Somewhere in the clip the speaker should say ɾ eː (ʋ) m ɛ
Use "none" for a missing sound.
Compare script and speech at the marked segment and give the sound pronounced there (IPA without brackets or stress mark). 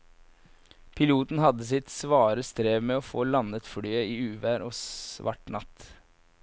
ʋ